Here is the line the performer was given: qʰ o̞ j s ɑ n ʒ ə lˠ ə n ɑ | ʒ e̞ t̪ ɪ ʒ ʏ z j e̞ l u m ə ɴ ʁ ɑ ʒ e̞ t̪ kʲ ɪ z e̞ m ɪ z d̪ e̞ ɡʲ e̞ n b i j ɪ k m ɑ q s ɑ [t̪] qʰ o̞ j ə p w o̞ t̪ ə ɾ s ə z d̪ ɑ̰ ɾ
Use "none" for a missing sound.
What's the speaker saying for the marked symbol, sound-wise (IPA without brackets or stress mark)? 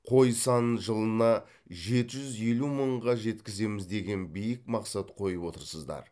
t̪